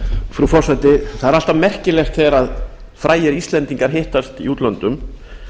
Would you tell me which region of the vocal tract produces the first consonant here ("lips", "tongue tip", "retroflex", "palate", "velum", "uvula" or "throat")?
lips